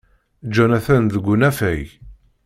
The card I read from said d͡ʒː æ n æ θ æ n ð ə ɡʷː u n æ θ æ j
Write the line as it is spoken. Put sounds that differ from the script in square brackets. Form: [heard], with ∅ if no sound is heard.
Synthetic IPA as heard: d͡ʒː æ n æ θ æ n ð ə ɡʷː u n æ [f] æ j